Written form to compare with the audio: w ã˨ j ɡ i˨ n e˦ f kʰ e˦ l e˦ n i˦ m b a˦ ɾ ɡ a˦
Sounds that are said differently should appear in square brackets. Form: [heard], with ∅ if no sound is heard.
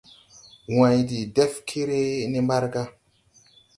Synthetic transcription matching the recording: w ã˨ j [d] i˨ [d] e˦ f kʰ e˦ [ɾ] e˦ n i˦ m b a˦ ɾ ɡ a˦